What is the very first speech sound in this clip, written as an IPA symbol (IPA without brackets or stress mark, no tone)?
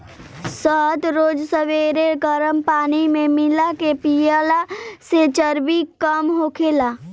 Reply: s